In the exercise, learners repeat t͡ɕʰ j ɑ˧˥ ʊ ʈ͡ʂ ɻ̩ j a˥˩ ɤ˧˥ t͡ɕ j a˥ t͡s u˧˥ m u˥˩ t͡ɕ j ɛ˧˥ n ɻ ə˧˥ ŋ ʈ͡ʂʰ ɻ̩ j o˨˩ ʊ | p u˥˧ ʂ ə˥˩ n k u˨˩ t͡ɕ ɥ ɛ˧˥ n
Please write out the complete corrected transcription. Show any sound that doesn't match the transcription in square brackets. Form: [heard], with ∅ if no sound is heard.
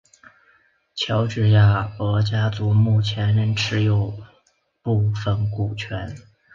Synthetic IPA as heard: t͡ɕʰ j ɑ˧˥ ʊ ʈ͡ʂ ɻ̩ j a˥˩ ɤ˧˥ t͡ɕ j a˥ t͡s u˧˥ m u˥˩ [t͡ɕʰ] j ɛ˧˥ n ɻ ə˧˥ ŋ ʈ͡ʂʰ ɻ̩ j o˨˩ ʊ | p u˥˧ [f] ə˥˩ n k u˨˩ [t͡ɕʰ] ɥ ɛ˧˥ n